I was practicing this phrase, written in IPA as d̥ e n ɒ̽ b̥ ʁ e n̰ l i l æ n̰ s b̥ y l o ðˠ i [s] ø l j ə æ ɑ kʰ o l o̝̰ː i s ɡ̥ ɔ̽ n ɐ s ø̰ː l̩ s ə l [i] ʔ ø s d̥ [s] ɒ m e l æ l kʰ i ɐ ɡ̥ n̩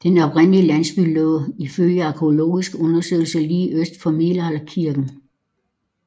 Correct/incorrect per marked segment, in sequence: incorrect: f, incorrect: iː, incorrect: f

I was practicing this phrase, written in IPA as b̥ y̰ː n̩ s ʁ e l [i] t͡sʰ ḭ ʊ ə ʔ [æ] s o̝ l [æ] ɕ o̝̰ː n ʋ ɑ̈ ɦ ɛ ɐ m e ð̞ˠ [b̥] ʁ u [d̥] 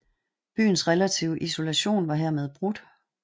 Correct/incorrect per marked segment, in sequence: incorrect: æ, incorrect: i, correct, correct, correct

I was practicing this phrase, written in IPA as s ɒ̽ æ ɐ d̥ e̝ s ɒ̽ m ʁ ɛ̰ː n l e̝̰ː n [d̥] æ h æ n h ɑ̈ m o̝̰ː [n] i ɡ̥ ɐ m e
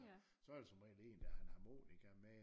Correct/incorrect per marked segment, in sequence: correct, correct

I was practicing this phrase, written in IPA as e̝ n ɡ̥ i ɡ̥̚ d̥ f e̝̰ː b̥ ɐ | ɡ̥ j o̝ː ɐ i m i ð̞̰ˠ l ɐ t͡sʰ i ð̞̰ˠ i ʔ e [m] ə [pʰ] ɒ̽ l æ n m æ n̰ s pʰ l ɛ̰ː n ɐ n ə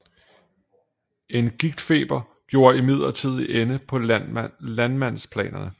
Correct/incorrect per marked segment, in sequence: incorrect: n, correct

